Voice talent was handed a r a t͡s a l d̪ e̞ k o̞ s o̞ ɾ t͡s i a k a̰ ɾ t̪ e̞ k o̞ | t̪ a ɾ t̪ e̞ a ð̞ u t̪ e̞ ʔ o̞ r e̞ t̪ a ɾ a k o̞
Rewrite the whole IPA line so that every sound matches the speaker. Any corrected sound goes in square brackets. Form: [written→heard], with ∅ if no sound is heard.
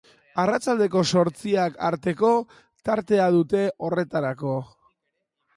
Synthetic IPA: a r a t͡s a l d̪ e̞ k o̞ s o̞ ɾ t͡s i a k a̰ ɾ t̪ e̞ k o̞ | t̪ a ɾ t̪ e̞ a ð̞ u t̪ e̞ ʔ o̞ r e̞ t̪ a ɾ a k o̞